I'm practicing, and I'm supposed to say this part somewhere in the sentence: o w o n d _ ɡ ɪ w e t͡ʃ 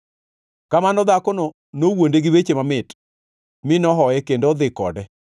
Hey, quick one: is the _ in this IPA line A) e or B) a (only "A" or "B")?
A